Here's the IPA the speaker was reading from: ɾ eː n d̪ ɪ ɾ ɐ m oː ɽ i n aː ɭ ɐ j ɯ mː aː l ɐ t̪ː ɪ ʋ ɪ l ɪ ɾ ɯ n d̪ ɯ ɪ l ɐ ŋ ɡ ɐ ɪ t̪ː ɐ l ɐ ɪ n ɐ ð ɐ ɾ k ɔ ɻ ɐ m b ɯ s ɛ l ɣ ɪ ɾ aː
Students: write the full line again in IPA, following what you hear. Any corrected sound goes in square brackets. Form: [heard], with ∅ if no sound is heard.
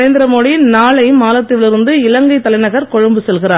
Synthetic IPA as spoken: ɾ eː n d̪ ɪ ɾ ɐ m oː ɽ i n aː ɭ ɐ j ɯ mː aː l ɐ t̪ː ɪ ʋ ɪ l ɪ ɾ ɯ n d̪ ɯ ɪ l ɐ ŋ ɡ ɐ ɪ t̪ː ɐ l ɐ ɪ n ɐ [ɣ] ɐ ɾ k ɔ ɻ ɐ m b ɯ s ɛ l ɣ ɪ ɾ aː

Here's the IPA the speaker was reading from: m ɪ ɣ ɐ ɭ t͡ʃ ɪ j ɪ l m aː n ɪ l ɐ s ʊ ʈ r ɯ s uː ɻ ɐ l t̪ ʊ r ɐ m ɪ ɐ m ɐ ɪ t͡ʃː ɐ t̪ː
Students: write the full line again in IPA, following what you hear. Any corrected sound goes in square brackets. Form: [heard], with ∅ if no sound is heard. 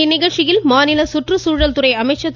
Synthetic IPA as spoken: [n] ɪ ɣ ɐ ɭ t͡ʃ ɪ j ɪ l m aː n ɪ l ɐ s ʊ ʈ r ɯ s uː ɻ ɐ l t̪ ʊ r ɐ [∅] ɪ ɐ m ɐ ɪ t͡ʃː ɐ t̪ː

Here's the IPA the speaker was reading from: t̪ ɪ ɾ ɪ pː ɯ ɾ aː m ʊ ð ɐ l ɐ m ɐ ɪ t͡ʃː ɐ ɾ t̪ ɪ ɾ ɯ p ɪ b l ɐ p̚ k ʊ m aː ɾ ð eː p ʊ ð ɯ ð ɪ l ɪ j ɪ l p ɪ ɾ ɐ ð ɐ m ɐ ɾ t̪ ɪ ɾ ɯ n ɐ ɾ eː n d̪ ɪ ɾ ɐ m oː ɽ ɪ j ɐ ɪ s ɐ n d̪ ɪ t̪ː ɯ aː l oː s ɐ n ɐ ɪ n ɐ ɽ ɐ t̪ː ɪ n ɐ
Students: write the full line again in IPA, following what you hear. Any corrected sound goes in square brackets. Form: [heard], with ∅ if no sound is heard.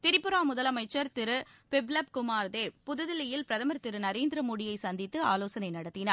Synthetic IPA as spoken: t̪ ɪ ɾ ɪ pː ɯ ɾ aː m ʊ ð ɐ l ɐ m ɐ ɪ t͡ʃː ɐ ɾ t̪ ɪ ɾ ɯ p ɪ b l ɐ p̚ k ʊ m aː ɾ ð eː p ʊ ð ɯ ð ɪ l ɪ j ɪ l p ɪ ɾ ɐ ð ɐ m ɐ ɾ t̪ ɪ ɾ ɯ n ɐ ɾ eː n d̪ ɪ ɾ ɐ m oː ɽ ɪ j ɐ ɪ s ɐ n d̪ ɪ t̪ː ɯ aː l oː s ɐ n ɐ ɪ n ɐ ɽ ɐ t̪ː ɪ n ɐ

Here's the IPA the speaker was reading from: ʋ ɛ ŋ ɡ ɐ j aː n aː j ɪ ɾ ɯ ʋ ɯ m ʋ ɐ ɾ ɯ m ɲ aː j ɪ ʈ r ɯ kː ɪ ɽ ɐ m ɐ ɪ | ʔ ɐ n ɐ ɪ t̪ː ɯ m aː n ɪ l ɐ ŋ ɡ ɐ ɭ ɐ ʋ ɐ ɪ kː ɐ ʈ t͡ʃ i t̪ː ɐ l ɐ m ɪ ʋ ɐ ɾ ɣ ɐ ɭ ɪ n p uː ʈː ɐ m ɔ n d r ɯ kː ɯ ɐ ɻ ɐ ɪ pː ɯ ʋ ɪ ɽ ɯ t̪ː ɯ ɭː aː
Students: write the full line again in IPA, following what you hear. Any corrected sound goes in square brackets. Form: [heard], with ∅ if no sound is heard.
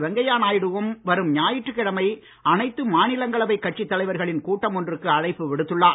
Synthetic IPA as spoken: ʋ ɛ ŋ ɡ ɐ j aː n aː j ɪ [ɽ] ɯ ʋ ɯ m ʋ ɐ ɾ ɯ m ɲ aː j ɪ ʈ r ɯ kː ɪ ɽ ɐ m ɐ ɪ | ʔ ɐ n ɐ ɪ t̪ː ɯ m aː n ɪ l ɐ ŋ ɡ ɐ ɭ ɐ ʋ ɐ ɪ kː ɐ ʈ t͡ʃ i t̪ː ɐ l ɐ [∅] ɪ ʋ ɐ ɾ ɣ ɐ ɭ ɪ n [k] uː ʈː ɐ m ɔ n d r ɯ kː ɯ ɐ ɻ ɐ ɪ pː ɯ ʋ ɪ ɽ ɯ t̪ː ɯ ɭː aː

